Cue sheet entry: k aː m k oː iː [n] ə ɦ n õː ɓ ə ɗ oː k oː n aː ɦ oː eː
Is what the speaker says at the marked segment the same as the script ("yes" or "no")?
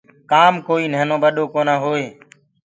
yes